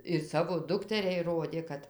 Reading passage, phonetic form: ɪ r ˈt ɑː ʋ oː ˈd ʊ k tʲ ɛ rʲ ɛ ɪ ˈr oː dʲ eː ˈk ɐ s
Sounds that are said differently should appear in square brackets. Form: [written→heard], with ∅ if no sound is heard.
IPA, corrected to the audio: ɪ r [ˈt→ˈs] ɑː ʋ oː ˈd ʊ k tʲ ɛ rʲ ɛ ɪ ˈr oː dʲ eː ˈk ɐ [s→t]